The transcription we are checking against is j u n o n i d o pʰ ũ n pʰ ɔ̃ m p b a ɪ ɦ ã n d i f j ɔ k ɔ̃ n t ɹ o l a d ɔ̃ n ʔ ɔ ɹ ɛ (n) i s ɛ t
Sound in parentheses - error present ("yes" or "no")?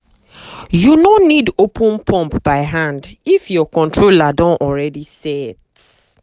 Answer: yes